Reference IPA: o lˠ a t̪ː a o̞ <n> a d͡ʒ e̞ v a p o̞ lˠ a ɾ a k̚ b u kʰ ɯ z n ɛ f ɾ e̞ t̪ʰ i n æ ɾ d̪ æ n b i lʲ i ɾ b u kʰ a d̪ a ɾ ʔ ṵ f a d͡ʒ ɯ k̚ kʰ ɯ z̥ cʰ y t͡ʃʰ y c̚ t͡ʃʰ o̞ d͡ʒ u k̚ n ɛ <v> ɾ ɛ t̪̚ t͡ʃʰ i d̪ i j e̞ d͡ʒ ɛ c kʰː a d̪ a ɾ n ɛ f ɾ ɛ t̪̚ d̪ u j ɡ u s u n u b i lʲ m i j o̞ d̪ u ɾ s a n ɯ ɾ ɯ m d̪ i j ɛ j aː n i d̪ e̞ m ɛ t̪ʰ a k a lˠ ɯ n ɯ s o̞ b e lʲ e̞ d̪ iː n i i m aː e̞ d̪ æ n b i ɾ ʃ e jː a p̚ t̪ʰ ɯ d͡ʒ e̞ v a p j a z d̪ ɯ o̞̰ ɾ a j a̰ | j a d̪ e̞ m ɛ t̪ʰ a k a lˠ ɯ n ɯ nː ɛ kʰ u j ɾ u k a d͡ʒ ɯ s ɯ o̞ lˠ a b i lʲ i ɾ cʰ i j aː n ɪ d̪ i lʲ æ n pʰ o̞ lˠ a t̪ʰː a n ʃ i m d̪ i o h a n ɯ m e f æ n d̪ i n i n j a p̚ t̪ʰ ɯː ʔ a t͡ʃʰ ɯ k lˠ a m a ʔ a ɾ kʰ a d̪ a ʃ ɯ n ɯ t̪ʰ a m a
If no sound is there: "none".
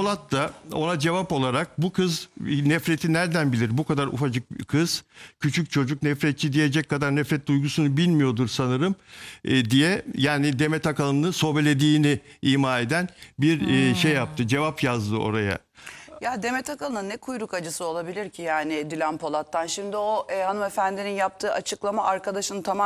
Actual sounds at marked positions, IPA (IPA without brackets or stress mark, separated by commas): n, f